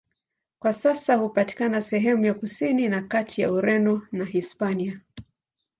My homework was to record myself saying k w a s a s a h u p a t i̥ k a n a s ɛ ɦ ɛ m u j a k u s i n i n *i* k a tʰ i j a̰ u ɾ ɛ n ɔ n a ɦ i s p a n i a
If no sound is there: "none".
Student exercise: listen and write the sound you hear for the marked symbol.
a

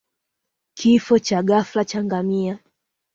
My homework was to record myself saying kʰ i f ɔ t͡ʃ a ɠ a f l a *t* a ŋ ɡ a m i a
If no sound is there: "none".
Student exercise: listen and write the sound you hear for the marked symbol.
t͡ʃ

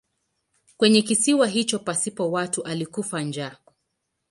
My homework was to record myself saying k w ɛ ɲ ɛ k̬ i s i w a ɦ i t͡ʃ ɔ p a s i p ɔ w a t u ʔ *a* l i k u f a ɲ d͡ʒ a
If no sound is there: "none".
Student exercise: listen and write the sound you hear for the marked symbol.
a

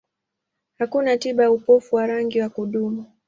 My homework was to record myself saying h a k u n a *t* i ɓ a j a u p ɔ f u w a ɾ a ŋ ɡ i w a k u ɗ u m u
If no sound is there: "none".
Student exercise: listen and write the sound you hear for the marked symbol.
t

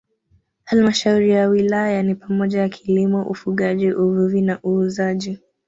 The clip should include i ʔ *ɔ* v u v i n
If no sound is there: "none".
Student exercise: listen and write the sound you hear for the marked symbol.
u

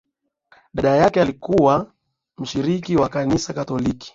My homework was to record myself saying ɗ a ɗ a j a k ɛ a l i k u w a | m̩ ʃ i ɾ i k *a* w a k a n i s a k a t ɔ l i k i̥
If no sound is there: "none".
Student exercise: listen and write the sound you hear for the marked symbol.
i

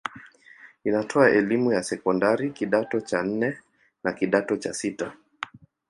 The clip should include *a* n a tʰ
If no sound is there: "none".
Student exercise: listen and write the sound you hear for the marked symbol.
i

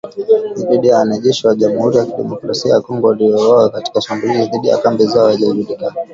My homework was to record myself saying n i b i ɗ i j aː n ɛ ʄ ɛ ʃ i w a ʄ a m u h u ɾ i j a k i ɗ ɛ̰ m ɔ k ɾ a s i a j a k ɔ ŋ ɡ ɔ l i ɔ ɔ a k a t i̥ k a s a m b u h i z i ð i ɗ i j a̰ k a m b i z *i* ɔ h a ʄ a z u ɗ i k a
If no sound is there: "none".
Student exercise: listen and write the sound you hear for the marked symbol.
a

